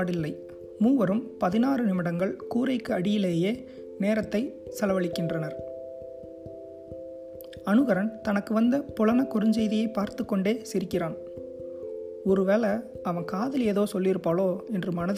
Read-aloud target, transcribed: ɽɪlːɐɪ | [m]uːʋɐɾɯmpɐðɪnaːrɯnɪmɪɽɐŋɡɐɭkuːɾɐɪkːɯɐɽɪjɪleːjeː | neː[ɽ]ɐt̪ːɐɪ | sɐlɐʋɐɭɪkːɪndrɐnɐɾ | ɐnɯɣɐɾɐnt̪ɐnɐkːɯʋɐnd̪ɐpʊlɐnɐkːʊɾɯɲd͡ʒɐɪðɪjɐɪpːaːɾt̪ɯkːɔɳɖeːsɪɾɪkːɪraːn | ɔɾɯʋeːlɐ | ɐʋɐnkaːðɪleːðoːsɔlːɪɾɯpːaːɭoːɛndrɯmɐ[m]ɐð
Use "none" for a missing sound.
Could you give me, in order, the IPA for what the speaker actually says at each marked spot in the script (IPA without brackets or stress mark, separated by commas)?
m, ɾ, n